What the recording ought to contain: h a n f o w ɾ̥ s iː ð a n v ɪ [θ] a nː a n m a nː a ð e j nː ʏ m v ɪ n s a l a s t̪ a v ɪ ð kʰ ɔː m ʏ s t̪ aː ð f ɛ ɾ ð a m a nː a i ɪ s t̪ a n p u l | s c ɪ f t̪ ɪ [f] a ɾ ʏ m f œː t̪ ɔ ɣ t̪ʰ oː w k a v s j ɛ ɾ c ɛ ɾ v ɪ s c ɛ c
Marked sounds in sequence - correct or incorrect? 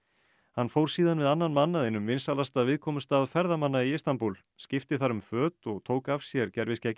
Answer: incorrect: ð, incorrect: θ

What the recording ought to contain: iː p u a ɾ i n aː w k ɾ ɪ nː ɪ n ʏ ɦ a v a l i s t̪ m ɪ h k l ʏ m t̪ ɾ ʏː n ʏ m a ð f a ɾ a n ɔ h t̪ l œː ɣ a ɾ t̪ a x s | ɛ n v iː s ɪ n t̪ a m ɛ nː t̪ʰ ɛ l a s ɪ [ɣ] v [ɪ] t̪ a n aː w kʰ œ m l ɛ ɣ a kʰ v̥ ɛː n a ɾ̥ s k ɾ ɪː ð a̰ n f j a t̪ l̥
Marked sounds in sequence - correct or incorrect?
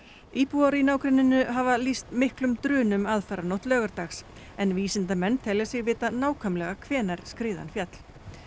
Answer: correct, incorrect: ɪː

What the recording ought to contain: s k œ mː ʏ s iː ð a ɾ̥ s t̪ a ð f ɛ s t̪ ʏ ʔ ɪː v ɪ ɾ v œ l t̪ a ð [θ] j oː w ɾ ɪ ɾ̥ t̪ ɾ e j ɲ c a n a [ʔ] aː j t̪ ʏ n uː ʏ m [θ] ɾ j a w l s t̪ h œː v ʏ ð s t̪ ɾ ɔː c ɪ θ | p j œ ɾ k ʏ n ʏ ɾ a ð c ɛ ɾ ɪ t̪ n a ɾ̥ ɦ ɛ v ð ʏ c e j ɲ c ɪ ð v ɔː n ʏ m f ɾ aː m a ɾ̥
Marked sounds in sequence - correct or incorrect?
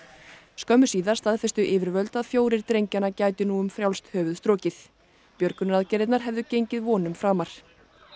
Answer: incorrect: f, incorrect: c, incorrect: f

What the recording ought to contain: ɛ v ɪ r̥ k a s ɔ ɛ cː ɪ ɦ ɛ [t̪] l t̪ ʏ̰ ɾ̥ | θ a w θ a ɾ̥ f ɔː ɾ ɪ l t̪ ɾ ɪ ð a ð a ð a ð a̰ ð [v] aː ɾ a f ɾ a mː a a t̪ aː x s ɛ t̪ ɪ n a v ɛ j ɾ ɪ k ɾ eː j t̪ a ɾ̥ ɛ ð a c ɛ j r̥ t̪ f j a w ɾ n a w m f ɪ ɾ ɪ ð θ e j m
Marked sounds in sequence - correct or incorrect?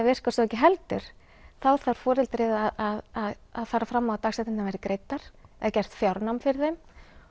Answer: incorrect: none, incorrect: f

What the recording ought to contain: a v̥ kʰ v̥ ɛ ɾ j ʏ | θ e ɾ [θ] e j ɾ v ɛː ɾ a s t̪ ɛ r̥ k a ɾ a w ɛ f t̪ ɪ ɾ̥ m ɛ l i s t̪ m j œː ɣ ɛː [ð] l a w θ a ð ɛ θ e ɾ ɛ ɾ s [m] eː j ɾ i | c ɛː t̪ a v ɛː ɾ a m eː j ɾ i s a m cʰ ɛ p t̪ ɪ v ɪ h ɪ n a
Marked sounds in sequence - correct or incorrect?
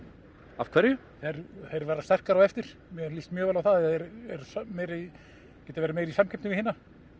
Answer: correct, incorrect: none, correct

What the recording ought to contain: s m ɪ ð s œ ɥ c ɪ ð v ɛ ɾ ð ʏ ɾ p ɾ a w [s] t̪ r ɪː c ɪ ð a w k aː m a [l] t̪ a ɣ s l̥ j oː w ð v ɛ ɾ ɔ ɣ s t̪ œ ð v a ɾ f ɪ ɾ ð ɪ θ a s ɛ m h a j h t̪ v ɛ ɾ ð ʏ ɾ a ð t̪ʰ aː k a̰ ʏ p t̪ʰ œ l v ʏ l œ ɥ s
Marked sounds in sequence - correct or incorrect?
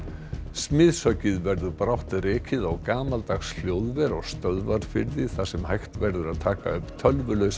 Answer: incorrect: h, correct

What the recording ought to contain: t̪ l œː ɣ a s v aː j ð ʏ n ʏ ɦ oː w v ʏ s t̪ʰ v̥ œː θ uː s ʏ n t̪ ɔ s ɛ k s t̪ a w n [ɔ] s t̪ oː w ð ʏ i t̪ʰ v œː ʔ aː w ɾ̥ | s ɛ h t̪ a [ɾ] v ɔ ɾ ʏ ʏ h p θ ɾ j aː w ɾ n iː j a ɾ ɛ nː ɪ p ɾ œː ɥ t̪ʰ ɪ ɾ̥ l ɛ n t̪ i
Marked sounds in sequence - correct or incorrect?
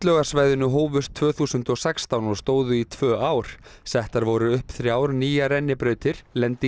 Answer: correct, correct

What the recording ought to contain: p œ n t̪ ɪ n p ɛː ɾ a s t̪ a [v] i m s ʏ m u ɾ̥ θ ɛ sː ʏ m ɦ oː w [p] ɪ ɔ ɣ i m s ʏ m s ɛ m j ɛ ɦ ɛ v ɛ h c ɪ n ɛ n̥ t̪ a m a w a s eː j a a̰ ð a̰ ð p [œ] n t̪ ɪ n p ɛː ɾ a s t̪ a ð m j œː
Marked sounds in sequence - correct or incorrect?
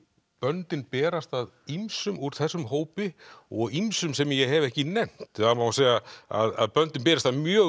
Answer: incorrect: ð, correct, correct

